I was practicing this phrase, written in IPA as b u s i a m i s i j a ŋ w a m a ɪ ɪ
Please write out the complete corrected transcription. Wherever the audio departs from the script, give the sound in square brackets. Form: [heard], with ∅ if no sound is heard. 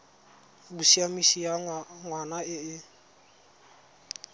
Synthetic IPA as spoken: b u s i a m i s i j a ŋ w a [n] a ɪ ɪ